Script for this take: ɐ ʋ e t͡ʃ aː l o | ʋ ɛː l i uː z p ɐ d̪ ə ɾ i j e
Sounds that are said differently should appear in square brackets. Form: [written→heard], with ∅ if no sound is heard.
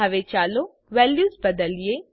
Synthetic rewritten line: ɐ ʋ e t͡ʃ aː l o | ʋ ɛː l [i→j] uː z [p→b] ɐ d̪ ə [ɾ→l] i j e